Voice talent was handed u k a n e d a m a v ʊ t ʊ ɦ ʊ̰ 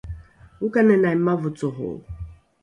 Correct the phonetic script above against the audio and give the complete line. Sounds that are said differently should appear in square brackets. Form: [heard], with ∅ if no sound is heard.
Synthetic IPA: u k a n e [n] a m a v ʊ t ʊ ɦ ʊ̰